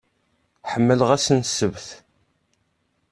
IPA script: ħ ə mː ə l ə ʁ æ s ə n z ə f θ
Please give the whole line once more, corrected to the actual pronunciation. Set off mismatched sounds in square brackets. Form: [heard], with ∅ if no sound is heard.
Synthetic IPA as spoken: ħ ə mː ə l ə ʁ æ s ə n [s] ə [v] θ